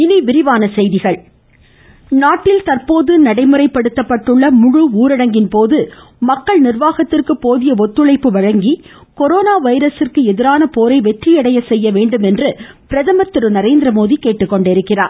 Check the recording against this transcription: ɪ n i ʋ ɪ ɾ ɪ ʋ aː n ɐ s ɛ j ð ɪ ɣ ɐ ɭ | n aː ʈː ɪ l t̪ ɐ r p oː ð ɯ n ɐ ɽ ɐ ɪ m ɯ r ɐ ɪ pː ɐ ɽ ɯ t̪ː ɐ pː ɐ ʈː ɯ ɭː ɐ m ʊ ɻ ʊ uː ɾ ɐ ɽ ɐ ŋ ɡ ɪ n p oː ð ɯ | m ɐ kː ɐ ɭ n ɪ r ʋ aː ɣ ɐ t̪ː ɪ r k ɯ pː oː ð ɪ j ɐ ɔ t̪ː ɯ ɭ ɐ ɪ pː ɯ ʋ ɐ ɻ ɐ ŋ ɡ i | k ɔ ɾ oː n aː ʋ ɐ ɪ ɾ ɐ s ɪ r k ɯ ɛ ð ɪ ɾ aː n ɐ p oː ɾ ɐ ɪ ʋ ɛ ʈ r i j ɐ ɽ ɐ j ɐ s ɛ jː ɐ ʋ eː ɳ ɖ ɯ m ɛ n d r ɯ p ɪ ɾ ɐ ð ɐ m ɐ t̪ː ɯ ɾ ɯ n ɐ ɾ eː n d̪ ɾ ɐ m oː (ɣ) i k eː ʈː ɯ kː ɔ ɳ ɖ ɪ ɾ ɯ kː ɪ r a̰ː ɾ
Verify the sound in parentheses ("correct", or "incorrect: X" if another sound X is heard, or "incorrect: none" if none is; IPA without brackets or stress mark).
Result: incorrect: ð